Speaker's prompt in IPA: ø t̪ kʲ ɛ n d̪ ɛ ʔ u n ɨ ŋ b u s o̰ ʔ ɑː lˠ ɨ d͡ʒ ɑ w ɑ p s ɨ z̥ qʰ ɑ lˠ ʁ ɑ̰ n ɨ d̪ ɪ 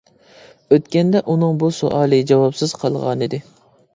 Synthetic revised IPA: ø t̪ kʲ ɛ n d̪ ɛ ʔ u n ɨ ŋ b u s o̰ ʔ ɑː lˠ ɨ d͡ʒ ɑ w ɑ p s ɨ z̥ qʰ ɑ lˠ ʁ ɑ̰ n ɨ d̪ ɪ